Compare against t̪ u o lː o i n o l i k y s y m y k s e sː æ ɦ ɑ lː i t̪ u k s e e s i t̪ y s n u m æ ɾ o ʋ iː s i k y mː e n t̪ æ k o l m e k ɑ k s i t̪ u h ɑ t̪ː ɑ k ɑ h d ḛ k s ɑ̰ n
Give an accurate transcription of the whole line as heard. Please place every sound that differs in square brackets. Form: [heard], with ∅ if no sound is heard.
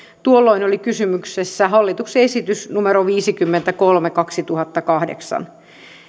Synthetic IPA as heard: t̪ u o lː o i n o l i k y s y m y k s e sː æ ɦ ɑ lː i t̪ u k s e e s i t̪ y s n u m [e] ɾ o ʋ iː s i k y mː e n t̪ æ k o l m e k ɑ k s i t̪ u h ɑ t̪ː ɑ k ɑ h d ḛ k s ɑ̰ n